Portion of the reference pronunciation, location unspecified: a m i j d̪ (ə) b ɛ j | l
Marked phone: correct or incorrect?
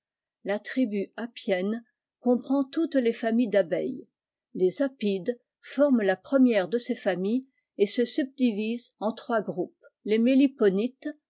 incorrect